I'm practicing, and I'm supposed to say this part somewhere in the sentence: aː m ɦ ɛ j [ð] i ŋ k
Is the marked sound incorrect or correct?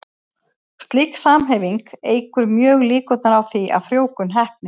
incorrect